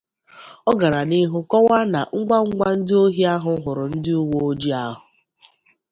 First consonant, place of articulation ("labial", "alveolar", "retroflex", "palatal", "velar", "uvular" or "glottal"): velar